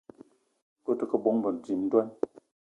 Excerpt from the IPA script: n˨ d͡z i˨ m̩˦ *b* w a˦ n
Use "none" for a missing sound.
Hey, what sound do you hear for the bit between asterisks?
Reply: d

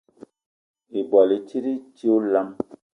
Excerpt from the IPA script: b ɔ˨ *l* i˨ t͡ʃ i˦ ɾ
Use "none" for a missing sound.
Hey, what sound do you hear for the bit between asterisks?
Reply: l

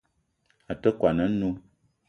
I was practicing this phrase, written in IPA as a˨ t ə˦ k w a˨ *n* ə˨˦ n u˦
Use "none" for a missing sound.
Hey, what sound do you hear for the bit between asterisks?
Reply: n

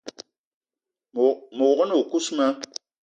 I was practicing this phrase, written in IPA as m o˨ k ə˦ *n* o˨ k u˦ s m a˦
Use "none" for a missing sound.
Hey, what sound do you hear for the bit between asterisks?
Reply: n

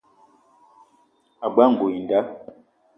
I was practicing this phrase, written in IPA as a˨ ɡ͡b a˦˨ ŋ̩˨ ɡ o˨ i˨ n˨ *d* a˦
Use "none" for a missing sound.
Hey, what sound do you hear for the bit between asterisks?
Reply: d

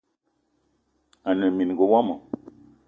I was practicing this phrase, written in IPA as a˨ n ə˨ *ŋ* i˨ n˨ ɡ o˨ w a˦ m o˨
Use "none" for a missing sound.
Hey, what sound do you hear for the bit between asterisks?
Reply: m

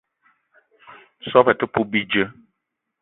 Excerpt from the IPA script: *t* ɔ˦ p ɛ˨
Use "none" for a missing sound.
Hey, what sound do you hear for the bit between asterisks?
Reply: s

